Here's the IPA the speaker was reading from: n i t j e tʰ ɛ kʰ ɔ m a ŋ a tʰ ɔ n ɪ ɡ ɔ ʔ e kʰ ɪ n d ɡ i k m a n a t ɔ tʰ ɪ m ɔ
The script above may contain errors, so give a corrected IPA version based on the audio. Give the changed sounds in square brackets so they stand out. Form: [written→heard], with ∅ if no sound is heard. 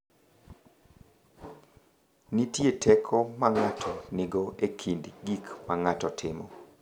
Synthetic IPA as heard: n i t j e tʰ ɛ kʰ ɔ m a ŋ a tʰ ɔ n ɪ ɡ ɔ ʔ e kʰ [ɪ→i] n d ɡ i k m a [n→ŋ] a t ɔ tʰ ɪ m ɔ